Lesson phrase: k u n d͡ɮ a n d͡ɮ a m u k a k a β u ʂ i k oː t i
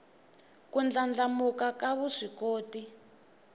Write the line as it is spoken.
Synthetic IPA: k u n d͡ɮ a n d͡ɮ a m u k a k a β u ʂ i k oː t i